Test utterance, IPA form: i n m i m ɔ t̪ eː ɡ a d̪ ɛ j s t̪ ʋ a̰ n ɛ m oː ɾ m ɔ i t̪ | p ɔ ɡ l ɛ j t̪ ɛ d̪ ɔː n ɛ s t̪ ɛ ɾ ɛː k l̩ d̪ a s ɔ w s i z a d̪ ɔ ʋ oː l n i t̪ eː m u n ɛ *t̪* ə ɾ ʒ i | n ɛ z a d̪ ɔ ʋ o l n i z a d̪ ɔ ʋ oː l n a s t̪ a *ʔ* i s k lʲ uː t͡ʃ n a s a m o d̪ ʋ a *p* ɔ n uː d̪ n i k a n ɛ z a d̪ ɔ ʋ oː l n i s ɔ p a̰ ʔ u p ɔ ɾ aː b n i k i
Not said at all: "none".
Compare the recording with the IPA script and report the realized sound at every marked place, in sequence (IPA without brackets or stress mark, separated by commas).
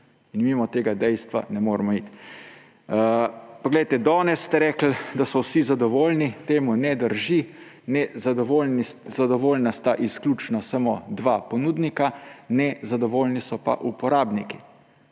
d̪, ʔ, p